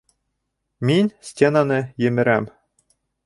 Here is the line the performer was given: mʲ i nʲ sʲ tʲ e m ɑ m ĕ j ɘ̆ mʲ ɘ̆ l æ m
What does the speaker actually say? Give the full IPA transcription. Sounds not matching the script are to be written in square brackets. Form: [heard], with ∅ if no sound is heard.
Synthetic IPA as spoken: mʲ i nʲ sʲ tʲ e [n] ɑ [n] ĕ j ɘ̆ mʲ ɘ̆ [ɾ] æ m